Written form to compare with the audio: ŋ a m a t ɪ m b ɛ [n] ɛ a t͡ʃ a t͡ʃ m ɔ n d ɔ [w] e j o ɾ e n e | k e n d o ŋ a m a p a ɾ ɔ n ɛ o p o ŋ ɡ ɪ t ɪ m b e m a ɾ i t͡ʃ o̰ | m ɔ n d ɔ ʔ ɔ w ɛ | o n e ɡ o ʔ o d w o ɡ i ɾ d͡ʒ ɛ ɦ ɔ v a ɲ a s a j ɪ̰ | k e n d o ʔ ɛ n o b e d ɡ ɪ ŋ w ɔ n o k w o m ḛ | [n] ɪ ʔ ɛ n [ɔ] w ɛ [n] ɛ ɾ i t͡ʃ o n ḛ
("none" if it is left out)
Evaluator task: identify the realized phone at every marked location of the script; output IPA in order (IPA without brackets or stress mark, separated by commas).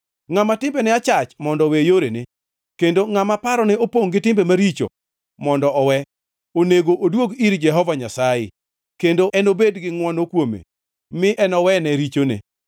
n, w, m, ɔ, n